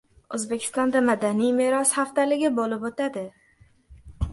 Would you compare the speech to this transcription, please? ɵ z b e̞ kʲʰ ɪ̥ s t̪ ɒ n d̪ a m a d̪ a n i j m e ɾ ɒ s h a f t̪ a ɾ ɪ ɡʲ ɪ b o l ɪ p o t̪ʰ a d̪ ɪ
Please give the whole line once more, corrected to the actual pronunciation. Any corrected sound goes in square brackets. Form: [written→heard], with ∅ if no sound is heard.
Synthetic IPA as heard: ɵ z b e̞ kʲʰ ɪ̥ s t̪ ɒ n d̪ a m a d̪ a n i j m e ɾ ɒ s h a f t̪ a [ɾ→l] ɪ ɡʲ ɪ b o l ɪ p o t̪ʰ a d̪ ɪ